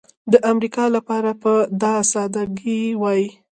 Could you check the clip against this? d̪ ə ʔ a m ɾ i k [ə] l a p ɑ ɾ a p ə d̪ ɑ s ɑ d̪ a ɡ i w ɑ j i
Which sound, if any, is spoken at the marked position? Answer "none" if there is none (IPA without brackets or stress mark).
ɑ